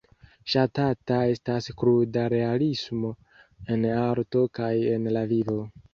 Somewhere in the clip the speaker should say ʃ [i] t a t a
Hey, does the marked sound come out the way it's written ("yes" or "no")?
no